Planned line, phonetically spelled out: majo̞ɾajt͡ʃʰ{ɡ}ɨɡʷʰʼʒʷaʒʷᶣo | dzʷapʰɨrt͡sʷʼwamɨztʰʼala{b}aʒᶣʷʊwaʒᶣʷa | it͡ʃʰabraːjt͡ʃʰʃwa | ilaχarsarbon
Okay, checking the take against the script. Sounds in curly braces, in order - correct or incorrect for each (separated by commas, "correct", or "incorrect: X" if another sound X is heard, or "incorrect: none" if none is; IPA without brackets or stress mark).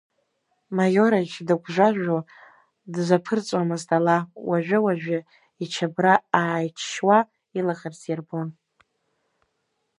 incorrect: d, incorrect: w